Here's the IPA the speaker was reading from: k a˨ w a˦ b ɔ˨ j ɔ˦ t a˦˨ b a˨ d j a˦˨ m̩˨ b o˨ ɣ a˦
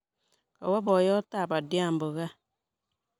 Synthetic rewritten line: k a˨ w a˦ b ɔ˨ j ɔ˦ t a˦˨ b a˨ d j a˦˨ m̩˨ b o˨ ɣ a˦